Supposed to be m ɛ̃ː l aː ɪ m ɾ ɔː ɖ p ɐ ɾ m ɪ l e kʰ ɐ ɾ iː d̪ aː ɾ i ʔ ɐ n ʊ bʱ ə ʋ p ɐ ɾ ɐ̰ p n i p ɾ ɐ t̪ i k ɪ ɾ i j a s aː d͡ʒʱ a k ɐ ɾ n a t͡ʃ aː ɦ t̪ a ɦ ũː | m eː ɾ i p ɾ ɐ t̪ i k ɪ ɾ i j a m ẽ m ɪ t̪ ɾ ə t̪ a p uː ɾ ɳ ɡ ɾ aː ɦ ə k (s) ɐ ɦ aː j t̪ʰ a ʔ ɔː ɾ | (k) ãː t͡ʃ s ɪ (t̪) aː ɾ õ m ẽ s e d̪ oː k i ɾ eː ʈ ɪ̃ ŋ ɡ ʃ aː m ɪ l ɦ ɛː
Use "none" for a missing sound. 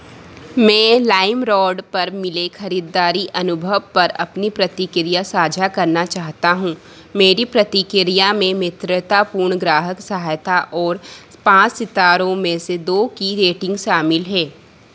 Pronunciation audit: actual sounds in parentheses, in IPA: s, p, t̪

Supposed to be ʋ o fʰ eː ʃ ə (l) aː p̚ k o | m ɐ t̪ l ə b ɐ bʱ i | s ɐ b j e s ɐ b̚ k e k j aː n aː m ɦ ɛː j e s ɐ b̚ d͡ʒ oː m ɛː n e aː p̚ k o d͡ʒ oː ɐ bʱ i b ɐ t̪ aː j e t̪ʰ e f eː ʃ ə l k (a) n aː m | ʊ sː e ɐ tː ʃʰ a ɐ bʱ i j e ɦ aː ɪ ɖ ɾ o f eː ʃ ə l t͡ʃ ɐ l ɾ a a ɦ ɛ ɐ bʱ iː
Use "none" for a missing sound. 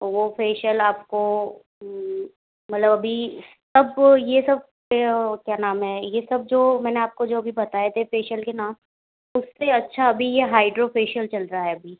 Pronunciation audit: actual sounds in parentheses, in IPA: l, e

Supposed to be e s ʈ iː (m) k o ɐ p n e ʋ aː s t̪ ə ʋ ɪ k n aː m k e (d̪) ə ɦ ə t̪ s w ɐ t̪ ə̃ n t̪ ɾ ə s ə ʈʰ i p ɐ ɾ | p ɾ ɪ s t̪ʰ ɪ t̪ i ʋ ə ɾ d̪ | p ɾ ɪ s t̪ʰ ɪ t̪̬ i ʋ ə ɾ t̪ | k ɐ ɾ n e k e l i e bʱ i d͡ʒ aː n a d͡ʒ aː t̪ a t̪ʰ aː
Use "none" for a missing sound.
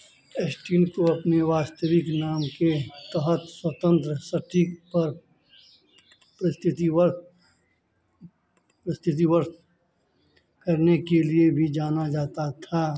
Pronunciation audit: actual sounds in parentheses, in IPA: n, t̪

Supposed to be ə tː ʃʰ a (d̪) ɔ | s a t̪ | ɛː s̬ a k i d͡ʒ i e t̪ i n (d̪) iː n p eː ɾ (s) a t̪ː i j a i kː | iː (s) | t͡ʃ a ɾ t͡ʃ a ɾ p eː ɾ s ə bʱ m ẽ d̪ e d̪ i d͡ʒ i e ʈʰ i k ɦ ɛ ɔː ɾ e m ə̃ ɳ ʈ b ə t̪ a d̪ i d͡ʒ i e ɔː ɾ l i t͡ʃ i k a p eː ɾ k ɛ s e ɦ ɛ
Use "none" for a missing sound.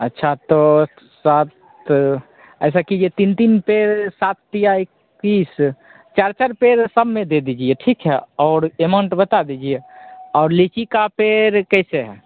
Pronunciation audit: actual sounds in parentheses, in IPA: t̪, t̪, s, s

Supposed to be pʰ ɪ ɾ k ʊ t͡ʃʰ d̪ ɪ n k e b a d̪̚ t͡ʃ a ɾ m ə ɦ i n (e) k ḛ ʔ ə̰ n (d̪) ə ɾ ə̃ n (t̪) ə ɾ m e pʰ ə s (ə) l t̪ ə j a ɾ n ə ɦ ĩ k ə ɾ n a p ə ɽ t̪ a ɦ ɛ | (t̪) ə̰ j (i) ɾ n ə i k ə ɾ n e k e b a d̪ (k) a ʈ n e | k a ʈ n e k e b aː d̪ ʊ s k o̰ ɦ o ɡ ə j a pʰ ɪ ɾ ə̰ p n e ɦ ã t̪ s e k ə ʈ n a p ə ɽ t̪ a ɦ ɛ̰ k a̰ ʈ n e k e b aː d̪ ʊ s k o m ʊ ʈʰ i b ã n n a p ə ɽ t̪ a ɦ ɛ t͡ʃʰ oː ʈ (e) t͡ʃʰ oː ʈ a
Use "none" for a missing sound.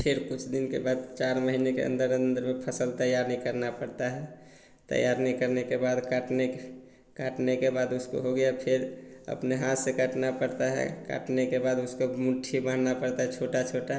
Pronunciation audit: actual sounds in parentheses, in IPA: e, d̪, d̪, ə, t̪, a, k, a

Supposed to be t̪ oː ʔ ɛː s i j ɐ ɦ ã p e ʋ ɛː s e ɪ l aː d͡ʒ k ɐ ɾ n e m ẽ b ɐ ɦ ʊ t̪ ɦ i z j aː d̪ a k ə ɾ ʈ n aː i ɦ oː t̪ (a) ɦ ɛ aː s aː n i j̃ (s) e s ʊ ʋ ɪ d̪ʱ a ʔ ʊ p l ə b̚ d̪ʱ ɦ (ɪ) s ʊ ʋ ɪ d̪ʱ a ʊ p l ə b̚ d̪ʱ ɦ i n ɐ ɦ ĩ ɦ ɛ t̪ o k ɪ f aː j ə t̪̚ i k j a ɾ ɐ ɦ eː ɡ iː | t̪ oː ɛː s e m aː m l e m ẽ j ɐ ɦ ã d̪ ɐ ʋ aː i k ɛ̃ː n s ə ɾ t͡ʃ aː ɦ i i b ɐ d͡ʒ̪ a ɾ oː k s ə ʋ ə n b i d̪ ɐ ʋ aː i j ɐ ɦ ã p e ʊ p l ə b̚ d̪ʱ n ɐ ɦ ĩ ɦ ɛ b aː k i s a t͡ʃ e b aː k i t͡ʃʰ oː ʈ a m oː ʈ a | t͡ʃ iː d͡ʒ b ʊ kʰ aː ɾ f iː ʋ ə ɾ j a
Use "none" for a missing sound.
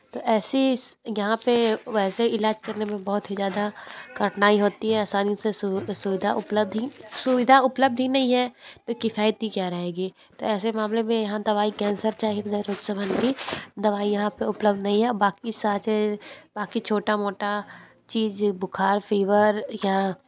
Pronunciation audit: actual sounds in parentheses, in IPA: i, s, i

